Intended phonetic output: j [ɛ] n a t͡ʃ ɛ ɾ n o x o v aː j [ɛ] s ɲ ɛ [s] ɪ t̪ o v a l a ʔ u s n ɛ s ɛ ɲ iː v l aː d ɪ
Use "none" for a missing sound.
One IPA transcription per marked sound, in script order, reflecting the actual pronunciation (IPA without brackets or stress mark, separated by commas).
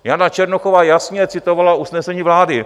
a, a, t͡s